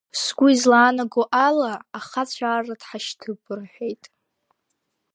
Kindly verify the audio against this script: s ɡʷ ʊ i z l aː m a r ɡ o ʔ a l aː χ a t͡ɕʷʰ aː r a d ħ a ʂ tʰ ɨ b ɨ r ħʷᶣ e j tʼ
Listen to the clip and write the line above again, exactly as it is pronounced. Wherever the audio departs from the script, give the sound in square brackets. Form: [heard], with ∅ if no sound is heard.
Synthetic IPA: s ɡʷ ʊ i z l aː [n] a [∅] ɡ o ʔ a l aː χ a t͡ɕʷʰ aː r a d ħ a [ʃ] tʰ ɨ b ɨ r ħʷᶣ e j tʼ